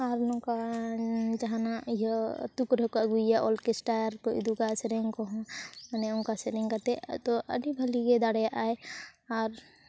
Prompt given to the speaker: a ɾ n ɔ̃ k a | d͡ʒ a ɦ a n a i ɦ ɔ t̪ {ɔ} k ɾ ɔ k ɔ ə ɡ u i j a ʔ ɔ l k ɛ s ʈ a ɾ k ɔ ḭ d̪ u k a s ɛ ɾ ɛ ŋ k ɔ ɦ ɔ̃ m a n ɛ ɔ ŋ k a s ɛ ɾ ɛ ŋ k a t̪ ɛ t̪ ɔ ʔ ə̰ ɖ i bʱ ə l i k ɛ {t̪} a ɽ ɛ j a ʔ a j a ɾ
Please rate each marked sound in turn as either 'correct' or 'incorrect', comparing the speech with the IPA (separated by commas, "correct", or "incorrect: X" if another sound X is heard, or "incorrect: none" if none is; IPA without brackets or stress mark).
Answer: incorrect: u, incorrect: d̪